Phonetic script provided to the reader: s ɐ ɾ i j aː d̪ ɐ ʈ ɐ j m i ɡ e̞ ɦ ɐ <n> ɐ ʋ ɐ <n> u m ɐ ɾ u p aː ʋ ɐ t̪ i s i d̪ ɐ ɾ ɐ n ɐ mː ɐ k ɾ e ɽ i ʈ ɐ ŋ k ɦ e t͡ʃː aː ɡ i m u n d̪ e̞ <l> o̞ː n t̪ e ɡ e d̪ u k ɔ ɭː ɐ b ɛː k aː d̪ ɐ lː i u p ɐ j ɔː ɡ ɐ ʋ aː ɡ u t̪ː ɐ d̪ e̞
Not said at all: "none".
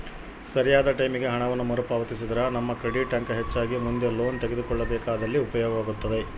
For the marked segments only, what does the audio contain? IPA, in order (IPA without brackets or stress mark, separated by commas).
ɳ, nː, l